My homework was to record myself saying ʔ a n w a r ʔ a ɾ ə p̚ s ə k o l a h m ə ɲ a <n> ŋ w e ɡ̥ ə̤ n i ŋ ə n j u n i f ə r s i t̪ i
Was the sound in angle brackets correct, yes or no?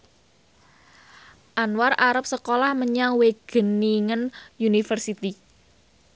no